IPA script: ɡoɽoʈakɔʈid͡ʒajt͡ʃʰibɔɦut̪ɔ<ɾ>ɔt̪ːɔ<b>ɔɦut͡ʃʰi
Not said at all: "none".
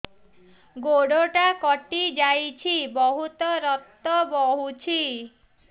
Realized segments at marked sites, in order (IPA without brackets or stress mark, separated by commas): ɾ, b